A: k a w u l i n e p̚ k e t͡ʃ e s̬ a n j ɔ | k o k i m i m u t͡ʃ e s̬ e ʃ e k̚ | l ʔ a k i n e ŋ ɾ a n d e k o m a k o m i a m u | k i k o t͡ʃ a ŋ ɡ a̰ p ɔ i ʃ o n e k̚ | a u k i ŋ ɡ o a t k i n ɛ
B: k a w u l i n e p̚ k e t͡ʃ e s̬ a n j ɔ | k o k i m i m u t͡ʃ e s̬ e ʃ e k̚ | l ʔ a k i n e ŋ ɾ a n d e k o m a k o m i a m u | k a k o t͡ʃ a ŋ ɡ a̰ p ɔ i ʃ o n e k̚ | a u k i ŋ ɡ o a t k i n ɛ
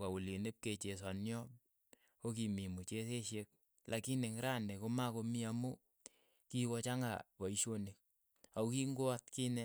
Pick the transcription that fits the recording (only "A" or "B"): A